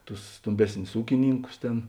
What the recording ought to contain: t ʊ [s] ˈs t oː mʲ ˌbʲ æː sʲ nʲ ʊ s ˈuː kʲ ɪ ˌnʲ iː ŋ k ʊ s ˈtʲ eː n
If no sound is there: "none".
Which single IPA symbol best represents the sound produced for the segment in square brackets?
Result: s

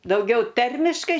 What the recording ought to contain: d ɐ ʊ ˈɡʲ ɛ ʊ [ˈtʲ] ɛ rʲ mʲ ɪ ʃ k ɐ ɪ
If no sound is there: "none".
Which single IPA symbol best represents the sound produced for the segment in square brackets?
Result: tʲ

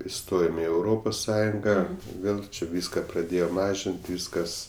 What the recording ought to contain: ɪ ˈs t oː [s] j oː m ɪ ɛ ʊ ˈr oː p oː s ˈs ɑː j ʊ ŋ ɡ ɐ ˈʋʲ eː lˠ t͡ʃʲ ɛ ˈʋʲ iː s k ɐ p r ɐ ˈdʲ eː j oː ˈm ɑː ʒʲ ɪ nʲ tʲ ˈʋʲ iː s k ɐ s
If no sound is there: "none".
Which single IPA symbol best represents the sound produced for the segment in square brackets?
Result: none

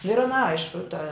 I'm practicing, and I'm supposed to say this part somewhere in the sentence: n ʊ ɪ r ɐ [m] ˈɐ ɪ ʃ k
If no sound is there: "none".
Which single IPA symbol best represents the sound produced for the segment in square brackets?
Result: n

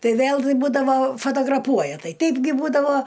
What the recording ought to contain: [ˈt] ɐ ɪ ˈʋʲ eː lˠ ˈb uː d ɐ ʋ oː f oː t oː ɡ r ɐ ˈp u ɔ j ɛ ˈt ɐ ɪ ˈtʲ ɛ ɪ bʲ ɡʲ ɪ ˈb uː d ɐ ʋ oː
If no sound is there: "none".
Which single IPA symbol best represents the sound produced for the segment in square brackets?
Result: t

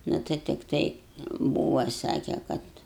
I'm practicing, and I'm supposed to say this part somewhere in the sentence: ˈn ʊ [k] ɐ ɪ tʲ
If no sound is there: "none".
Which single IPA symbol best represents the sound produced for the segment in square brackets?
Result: t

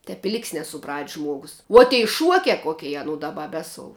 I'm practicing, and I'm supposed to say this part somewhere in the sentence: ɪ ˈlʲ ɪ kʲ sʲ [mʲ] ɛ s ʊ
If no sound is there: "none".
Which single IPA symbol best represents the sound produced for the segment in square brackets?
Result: nʲ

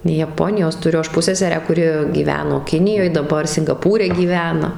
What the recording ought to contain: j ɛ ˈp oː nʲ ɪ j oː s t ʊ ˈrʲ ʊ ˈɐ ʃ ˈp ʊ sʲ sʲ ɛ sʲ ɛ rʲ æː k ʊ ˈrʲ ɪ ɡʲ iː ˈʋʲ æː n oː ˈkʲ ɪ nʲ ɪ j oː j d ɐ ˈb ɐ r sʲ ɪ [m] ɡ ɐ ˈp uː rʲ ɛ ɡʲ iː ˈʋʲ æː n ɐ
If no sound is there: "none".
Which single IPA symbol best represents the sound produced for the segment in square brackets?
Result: ŋ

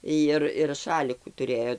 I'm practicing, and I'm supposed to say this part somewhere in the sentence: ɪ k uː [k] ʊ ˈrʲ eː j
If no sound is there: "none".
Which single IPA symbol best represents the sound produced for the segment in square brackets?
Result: t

